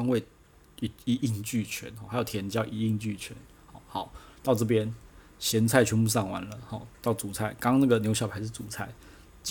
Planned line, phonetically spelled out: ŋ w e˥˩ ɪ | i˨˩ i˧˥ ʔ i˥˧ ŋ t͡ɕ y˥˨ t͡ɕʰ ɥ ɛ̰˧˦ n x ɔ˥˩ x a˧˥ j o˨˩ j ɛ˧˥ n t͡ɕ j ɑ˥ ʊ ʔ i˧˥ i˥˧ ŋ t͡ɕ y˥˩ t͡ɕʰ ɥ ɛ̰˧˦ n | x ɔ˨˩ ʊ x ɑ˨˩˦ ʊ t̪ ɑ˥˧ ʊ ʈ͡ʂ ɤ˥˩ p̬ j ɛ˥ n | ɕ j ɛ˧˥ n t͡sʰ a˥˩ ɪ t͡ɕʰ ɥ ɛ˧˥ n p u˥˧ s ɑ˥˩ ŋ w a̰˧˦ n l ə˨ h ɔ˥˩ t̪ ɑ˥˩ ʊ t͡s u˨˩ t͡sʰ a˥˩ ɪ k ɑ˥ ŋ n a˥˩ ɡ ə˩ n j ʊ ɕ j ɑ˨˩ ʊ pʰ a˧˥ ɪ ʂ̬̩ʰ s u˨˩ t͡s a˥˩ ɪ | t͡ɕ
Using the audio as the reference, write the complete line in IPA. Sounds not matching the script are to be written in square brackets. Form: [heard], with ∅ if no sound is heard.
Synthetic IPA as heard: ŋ w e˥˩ ɪ | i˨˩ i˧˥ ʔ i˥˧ ŋ t͡ɕ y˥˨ t͡ɕʰ ɥ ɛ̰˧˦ n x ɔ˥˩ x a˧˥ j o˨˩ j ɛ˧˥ n t͡ɕ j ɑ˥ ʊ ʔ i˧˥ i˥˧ ŋ t͡ɕ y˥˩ t͡ɕʰ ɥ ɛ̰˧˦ n | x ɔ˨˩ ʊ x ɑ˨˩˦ ʊ t̪ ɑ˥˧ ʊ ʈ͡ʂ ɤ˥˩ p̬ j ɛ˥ n | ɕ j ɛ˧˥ n t͡sʰ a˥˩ ɪ t͡ɕʰ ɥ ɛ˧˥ n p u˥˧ s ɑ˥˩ ŋ w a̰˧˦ n l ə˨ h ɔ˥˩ t̪ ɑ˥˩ ʊ t͡s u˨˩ t͡sʰ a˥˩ ɪ k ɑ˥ ŋ n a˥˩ ɡ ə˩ n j ʊ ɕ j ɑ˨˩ ʊ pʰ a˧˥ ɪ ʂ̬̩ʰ [t͡s] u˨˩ [t͡sʰ] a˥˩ ɪ | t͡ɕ